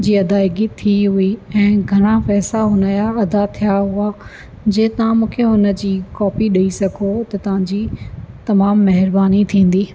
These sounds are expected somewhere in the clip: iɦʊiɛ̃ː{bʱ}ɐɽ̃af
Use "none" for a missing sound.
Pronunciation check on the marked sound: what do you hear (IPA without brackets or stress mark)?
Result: ɡʱ